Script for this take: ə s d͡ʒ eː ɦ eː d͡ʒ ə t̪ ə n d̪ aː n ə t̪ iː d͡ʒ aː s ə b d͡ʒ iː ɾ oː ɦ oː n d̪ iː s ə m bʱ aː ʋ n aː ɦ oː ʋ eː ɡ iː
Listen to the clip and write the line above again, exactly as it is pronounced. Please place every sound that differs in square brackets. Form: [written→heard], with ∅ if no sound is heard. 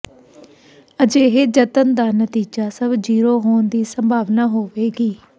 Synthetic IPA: ə [s→∅] d͡ʒ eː ɦ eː d͡ʒ ə t̪ ə n d̪ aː n ə t̪ iː d͡ʒ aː s ə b d͡ʒ iː ɾ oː ɦ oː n d̪ iː s ə m bʱ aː ʋ n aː ɦ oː ʋ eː ɡ iː